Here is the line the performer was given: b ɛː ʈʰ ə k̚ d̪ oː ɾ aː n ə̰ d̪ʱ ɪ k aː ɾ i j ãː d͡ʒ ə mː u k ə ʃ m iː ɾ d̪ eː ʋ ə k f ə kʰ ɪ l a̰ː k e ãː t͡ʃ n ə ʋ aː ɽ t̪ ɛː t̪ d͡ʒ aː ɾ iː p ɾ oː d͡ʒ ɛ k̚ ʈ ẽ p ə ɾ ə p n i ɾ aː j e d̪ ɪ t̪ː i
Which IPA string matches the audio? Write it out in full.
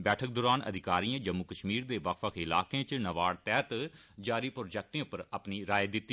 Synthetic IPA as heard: b ɛː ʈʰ ə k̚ d̪ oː ɾ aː n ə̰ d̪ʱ ɪ k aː ɾ i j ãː d͡ʒ ə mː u k ə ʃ m iː ɾ d̪ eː ʋ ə k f ə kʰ ɪ l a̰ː k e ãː t͡ʃ n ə ʋ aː ɽ t̪ ɛː t̪ d͡ʒ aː ɾ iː p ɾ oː d͡ʒ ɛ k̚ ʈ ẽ p ə ɾ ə p n i ɾ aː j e d̪ ɪ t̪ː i